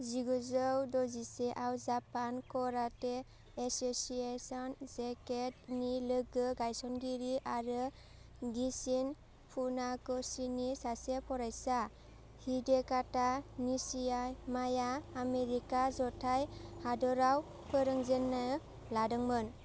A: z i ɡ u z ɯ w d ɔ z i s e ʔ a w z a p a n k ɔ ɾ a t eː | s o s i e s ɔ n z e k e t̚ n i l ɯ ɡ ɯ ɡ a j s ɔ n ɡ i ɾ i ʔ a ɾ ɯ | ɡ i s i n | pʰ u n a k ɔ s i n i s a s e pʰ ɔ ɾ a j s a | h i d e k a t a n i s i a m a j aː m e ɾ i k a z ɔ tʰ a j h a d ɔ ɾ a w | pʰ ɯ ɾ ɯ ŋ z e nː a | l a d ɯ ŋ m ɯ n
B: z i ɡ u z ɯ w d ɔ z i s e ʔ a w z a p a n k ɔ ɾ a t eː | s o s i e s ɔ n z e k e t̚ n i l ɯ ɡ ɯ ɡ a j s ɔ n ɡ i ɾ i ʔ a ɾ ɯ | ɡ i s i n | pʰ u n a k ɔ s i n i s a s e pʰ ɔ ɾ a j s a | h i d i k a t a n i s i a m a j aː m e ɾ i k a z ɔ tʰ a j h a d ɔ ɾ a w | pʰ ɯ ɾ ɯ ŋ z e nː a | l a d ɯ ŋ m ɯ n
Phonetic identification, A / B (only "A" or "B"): A